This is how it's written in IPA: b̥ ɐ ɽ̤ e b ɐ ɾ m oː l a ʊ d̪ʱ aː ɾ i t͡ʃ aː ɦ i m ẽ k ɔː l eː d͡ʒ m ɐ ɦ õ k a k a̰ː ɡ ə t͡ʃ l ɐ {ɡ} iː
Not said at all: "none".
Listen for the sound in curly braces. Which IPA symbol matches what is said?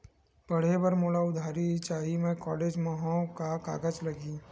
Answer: ɡ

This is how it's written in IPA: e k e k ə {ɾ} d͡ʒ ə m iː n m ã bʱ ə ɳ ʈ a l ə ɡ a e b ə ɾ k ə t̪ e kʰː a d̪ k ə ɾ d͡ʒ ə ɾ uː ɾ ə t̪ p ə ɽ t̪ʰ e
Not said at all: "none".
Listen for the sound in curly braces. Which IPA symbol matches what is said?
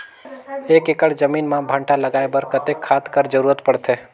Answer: ɽ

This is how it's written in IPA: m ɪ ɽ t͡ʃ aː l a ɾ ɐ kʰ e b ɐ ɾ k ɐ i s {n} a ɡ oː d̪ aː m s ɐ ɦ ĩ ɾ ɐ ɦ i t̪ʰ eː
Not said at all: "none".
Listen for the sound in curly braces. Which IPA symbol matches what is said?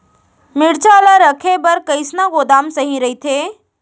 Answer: n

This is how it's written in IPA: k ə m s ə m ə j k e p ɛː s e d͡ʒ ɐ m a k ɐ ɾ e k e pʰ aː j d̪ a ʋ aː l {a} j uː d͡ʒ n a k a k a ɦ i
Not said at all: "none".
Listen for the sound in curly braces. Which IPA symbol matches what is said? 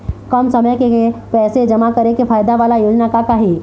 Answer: a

